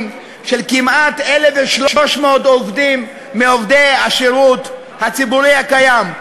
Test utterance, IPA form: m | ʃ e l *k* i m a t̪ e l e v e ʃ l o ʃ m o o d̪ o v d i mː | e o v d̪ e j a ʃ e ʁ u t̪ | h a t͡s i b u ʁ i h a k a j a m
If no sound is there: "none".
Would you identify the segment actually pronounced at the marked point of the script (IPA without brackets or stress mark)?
k